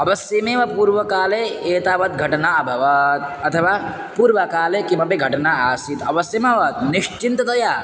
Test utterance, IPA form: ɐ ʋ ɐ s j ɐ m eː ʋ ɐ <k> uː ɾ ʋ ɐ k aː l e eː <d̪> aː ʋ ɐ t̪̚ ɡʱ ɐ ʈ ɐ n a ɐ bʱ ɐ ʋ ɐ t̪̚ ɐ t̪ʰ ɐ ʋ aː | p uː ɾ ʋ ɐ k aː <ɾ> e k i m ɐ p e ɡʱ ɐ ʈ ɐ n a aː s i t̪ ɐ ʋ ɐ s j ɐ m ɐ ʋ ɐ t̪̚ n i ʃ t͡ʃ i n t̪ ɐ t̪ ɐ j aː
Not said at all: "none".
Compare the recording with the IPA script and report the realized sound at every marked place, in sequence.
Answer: p, t̪, l

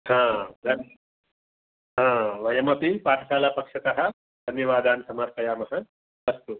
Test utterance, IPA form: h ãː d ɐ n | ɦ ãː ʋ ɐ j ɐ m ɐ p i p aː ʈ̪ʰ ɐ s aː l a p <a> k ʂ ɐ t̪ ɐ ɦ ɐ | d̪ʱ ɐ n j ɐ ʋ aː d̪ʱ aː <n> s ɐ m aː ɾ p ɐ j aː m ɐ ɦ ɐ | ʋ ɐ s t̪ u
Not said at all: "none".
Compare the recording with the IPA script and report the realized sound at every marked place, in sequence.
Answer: ɐ, n

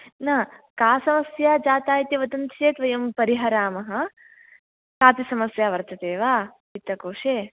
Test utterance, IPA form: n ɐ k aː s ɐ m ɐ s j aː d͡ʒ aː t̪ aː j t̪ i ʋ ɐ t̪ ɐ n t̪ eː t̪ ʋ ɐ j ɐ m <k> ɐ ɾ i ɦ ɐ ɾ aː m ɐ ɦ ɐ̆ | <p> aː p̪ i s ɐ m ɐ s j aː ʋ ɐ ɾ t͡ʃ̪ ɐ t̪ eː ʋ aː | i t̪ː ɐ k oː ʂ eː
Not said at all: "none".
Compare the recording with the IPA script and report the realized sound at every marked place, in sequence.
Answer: p, k

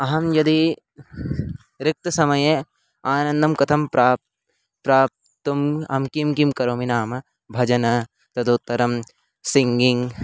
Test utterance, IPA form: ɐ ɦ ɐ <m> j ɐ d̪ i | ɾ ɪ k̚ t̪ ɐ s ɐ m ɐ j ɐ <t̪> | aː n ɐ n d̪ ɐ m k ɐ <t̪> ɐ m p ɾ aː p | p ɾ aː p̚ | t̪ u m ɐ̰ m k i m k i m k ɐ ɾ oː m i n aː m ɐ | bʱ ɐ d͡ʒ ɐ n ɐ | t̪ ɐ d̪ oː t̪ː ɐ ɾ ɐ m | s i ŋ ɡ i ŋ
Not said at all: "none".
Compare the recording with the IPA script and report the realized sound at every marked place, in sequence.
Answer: m, none, t̪ʰ

